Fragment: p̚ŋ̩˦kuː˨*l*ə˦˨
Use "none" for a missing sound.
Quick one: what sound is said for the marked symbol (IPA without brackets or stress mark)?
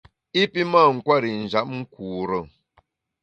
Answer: ɾ